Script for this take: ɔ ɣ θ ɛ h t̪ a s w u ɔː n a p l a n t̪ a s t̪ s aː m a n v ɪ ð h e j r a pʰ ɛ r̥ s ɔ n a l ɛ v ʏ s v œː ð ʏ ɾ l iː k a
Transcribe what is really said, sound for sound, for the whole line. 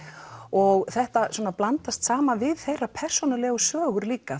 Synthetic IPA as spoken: ɔ ɣ θ ɛ h t̪ a s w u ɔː n a p l a n t̪ a s t̪ s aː m a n v ɪ ð θ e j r a pʰ ɛ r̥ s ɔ n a l ɛ ɣ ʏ s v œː ɣ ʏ ɾ l iː k a